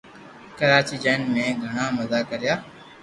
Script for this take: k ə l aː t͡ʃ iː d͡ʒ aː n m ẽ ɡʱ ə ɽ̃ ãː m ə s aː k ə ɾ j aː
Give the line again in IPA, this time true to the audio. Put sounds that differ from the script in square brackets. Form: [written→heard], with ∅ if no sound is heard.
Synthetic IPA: k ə [l→ɾ] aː t͡ʃ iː d͡ʒ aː n m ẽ ɡʱ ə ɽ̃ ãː m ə [s→z] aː k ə ɾ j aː